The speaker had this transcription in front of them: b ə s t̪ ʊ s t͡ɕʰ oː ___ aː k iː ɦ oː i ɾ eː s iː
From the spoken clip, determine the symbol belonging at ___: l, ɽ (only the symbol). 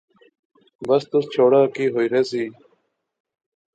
ɽ